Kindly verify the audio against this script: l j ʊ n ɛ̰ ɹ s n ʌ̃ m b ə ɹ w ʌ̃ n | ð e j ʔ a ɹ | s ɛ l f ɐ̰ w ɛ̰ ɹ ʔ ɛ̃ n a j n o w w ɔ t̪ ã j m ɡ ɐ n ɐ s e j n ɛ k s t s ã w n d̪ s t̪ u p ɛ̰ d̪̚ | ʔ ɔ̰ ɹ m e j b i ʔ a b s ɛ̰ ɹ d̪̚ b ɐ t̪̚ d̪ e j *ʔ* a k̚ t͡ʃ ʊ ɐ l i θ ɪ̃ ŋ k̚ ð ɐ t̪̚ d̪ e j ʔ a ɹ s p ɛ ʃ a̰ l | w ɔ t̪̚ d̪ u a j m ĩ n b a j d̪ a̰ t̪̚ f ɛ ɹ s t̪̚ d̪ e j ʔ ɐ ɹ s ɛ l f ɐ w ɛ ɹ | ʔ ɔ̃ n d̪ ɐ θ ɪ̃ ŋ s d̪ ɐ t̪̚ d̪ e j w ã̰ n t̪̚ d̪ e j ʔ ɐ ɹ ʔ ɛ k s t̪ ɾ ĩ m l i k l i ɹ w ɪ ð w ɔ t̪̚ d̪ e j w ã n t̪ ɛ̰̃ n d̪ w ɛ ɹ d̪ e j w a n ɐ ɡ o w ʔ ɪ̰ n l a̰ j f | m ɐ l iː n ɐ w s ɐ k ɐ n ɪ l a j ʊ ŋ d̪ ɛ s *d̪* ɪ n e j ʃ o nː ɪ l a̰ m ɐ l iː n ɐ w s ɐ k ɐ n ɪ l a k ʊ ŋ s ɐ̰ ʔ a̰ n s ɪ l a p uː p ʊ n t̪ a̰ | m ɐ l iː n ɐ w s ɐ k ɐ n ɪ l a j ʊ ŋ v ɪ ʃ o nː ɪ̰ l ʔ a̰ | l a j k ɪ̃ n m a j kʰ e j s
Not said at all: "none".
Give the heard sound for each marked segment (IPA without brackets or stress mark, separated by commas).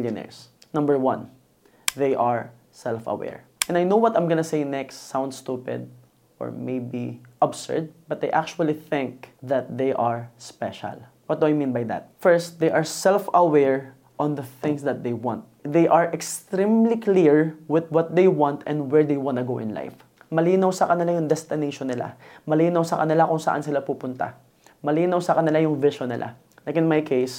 ʔ, t̪